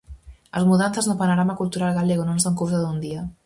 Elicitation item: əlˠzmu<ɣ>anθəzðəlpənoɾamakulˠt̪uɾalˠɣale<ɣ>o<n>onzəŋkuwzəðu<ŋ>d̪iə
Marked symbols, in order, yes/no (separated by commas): no, yes, yes, no